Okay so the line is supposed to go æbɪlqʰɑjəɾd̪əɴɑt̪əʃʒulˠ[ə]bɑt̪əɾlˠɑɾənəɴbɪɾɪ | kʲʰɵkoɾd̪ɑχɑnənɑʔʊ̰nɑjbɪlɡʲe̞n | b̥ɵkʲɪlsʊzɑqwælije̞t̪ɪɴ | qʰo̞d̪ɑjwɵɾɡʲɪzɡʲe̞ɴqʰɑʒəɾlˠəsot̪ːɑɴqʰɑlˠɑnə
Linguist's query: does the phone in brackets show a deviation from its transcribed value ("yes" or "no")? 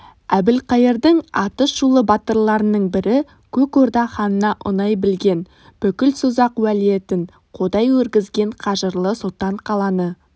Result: no